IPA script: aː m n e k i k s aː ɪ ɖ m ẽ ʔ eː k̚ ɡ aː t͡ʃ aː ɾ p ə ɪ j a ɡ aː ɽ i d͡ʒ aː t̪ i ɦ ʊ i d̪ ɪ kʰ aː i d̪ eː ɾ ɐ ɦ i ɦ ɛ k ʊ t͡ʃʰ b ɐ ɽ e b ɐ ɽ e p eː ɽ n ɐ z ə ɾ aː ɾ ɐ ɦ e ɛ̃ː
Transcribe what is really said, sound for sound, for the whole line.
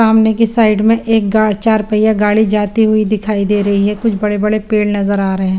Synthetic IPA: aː m n e k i s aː ɪ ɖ m ẽ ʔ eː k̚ ɡ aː t͡ʃ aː ɾ p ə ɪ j a ɡ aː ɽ i d͡ʒ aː t̪ i ɦ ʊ i d̪ ɪ kʰ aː i d̪ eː ɾ ɐ ɦ i ɦ ɛ k ʊ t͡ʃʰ b ɐ ɽ e b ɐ ɽ e p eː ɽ n ɐ z ə ɾ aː ɾ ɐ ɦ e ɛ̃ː